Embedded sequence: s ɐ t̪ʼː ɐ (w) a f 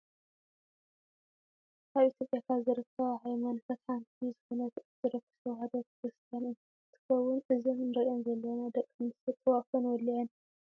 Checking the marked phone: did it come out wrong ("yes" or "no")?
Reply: no